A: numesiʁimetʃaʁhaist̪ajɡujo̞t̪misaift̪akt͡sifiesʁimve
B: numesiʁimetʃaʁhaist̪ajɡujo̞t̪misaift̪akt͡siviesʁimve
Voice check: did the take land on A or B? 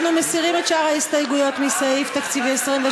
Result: B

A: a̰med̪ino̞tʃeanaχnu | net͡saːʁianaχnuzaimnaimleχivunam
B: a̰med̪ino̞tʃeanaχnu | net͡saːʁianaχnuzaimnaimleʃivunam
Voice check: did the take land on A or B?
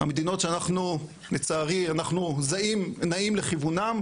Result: A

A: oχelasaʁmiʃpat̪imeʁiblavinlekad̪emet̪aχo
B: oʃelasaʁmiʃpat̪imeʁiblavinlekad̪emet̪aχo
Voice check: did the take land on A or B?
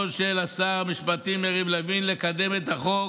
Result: B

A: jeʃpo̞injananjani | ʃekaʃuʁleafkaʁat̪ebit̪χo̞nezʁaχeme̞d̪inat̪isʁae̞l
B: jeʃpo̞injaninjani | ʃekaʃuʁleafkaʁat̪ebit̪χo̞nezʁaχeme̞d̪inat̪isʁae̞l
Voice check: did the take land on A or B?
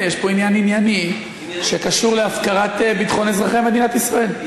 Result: B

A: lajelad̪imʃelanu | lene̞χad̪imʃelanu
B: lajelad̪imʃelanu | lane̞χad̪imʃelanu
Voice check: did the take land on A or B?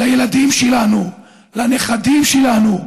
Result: B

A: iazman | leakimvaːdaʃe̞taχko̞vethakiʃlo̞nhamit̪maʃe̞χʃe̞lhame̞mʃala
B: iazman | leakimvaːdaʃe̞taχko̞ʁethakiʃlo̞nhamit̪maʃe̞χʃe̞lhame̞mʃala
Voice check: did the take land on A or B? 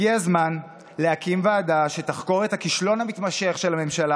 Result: B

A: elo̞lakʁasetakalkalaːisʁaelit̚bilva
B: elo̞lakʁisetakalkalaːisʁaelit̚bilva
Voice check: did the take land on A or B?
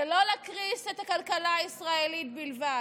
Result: B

